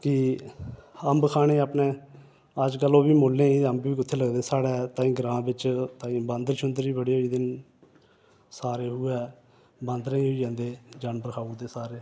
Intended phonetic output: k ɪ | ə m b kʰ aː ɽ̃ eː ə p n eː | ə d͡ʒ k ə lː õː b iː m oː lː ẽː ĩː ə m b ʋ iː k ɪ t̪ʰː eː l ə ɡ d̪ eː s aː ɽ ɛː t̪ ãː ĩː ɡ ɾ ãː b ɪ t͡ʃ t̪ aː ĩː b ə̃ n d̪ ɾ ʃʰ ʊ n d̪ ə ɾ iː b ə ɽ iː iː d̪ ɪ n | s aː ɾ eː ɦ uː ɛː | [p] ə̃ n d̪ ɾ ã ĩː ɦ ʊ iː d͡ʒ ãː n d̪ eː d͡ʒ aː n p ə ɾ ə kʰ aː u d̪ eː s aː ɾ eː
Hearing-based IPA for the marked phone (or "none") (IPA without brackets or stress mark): b